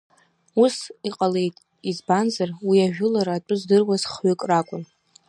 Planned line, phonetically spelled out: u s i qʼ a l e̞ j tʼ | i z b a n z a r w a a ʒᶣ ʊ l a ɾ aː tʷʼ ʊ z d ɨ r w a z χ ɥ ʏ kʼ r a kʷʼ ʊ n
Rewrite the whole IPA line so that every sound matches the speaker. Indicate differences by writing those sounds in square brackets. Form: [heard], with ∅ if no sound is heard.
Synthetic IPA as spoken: u s i qʼ a l e̞ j tʼ | i z b a n z a r w [i] a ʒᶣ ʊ l a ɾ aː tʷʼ ʊ z d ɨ r w a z χ ɥ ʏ kʼ r a kʷʼ ʊ n